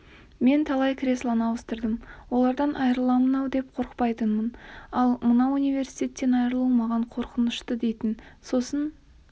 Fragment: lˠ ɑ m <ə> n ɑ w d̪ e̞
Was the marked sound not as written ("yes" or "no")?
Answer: no